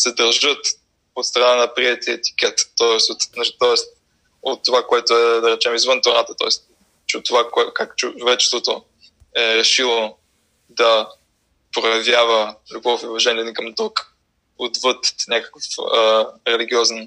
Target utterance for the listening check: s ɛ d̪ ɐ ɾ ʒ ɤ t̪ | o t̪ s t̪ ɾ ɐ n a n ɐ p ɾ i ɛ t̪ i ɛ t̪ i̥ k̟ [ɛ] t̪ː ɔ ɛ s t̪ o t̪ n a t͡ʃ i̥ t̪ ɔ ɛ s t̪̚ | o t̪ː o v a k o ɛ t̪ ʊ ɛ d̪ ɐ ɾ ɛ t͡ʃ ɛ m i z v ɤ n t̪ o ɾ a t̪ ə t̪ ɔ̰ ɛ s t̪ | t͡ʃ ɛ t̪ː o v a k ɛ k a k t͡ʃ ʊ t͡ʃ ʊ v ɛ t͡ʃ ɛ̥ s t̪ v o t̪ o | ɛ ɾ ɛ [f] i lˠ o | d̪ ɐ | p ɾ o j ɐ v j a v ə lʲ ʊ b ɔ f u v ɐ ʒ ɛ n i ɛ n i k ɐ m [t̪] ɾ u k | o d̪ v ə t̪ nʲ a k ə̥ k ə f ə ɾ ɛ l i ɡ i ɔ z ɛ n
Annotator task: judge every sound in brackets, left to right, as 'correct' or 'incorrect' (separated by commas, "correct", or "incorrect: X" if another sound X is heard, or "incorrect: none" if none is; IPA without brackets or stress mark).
correct, incorrect: ʃ, incorrect: d̪